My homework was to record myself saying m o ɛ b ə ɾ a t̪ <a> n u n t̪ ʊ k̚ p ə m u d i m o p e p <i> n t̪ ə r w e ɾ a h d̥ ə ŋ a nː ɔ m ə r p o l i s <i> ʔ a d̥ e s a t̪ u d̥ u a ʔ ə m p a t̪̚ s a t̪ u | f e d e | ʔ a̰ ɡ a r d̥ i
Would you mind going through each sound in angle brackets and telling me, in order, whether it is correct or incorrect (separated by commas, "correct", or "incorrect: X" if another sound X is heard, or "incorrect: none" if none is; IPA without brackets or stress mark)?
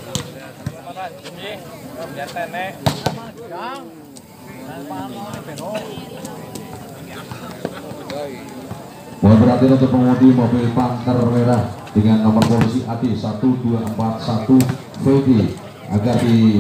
incorrect: i, incorrect: a, correct